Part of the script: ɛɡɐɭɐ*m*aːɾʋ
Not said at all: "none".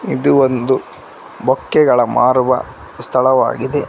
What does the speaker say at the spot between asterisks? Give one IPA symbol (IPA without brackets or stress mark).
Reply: m